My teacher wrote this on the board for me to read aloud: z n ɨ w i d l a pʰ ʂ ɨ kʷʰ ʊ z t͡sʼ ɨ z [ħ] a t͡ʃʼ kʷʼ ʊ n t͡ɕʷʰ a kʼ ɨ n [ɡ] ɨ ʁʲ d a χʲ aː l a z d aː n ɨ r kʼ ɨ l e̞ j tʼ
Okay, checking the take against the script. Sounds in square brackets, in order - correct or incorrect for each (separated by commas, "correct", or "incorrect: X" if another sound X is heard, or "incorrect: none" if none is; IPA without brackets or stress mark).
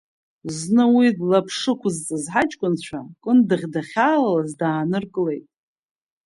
correct, incorrect: d